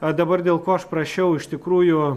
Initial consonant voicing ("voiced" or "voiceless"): voiced